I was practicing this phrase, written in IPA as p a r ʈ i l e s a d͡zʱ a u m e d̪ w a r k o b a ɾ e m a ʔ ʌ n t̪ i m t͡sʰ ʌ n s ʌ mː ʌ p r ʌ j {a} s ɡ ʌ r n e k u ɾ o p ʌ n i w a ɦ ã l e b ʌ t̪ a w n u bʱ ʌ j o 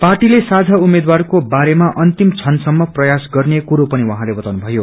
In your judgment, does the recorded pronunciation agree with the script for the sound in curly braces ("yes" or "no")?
yes